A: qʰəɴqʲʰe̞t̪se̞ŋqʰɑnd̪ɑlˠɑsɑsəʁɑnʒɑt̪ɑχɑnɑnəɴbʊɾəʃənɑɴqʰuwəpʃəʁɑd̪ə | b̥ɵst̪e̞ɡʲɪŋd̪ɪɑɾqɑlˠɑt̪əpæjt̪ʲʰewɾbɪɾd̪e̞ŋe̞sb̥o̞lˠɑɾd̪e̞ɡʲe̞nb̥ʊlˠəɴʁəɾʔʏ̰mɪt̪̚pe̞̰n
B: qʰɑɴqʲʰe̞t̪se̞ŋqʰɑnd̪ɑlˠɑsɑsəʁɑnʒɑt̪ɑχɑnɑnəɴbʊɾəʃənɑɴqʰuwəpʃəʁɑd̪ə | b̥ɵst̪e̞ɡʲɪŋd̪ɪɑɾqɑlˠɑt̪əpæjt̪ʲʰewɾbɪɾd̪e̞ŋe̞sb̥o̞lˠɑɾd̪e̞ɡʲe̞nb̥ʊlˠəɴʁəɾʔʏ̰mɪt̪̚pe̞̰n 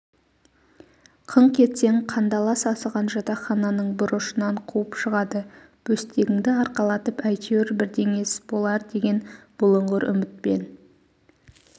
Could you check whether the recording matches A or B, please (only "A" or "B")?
A